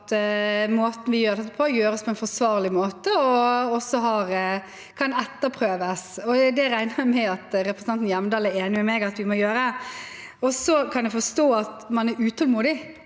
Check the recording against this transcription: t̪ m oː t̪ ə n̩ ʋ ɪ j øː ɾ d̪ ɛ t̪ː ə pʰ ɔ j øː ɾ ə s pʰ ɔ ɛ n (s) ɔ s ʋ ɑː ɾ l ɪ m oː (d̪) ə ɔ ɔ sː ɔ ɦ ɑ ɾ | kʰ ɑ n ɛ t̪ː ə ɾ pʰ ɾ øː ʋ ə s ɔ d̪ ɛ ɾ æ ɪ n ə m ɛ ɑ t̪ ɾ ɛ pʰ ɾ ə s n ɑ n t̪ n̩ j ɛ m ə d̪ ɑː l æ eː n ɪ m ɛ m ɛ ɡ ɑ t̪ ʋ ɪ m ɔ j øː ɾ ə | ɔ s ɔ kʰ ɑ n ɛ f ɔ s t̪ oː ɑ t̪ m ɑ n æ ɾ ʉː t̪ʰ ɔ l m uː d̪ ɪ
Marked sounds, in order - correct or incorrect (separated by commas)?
incorrect, incorrect